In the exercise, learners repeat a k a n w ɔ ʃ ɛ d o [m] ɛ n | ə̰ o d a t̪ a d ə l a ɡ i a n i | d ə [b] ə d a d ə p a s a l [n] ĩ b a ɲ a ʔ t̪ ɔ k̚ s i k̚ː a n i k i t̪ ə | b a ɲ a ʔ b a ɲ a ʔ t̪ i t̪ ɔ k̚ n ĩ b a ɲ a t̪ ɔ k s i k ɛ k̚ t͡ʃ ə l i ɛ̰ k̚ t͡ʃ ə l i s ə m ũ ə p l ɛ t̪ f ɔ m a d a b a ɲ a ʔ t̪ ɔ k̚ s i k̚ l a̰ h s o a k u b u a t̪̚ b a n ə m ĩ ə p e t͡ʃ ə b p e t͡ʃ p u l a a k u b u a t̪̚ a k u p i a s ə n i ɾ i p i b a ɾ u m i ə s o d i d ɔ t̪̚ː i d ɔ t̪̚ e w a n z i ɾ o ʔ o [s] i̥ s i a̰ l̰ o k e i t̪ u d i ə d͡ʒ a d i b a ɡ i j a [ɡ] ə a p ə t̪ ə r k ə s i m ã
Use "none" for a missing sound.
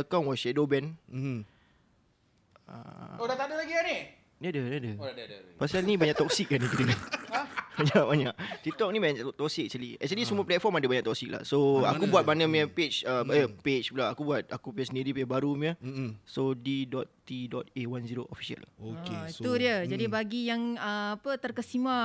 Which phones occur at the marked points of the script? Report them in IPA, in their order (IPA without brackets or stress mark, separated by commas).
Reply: b, d, n, f, ŋ